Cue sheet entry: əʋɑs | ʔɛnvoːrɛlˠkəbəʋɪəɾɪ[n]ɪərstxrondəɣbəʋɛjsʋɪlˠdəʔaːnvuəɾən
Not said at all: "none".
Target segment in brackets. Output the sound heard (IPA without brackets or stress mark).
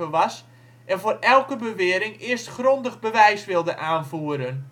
ŋ